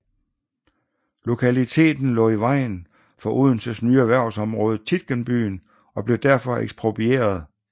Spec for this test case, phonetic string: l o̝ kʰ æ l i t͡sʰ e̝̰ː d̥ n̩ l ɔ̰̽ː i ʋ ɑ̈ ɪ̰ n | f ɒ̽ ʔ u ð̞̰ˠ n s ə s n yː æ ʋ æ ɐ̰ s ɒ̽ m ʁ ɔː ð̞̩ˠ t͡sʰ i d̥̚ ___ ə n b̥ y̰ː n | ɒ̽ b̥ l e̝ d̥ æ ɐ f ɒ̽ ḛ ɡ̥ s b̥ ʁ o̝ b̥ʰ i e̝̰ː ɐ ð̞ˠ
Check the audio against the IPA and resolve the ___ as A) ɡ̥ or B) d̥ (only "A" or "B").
A